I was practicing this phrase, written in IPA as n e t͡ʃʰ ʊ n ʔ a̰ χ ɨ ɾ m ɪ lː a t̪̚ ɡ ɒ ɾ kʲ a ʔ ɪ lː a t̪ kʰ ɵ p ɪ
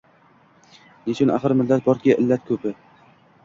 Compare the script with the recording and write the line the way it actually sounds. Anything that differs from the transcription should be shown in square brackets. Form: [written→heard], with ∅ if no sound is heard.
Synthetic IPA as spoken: n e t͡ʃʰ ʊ n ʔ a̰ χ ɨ ɾ m ɪ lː a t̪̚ [ɡ→b] ɒ ɾ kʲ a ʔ ɪ lː a t̪ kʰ ɵ p ɪ